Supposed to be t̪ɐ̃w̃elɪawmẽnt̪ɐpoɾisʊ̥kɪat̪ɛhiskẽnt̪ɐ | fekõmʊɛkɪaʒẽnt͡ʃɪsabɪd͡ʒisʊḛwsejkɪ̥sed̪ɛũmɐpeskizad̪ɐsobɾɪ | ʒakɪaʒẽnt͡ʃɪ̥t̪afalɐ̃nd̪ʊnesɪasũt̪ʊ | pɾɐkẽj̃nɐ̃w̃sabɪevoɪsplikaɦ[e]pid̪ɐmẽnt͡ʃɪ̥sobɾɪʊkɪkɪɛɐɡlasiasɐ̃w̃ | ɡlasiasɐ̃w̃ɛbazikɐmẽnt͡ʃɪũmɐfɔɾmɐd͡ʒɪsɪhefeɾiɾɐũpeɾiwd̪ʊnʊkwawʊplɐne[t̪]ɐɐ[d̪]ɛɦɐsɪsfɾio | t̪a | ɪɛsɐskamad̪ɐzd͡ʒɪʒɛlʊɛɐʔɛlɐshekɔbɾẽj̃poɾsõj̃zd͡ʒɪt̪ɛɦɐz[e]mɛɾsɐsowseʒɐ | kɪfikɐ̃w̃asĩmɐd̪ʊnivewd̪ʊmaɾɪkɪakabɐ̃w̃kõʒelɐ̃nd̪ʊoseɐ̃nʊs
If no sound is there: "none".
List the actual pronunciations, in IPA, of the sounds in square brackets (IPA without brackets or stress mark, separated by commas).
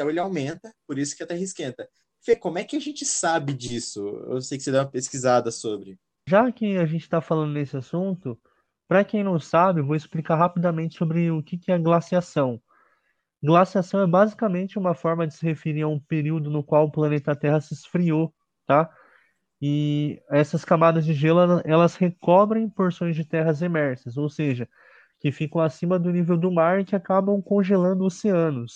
a, t̪, t̪, e